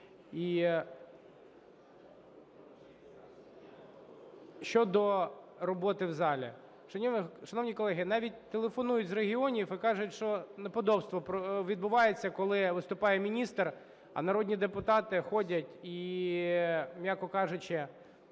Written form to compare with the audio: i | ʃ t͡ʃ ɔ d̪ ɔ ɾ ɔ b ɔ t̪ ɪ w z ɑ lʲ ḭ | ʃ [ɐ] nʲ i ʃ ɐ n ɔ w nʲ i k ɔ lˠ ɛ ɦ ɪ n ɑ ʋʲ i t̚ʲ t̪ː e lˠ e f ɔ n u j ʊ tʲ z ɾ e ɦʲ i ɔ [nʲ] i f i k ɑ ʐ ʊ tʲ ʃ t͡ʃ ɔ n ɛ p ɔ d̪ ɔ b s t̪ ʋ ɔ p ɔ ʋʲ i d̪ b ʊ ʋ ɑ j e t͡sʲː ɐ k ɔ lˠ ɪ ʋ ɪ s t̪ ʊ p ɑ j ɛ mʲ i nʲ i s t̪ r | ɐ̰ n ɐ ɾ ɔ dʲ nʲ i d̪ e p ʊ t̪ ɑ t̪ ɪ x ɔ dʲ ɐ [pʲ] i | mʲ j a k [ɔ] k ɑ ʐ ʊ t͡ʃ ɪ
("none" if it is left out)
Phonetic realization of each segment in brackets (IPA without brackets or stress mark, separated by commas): ɐ, nʲ, tʲ, ɔ